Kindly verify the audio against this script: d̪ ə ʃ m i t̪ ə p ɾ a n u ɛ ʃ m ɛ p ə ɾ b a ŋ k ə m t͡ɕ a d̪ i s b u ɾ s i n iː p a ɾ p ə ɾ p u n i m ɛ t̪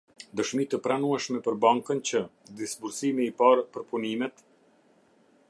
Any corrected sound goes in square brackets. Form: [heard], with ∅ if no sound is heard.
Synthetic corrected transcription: d̪ ə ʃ m i t̪ ə p ɾ a n u ɛ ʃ m ɛ p ə ɾ b a ŋ k ə [n] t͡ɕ [ə] d̪ i s b u ɾ s i [m] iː p a ɾ p ə ɾ p u n i m ɛ t̪